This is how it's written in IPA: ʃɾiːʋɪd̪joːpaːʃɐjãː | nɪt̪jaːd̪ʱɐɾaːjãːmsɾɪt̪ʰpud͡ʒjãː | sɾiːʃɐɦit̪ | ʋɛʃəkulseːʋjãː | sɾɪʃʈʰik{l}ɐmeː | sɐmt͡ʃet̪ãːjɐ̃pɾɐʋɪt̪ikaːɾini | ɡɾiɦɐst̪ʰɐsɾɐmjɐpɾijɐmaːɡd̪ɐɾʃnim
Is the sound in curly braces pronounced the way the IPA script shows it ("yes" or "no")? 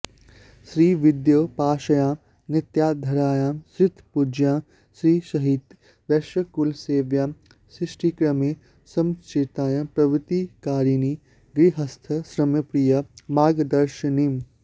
no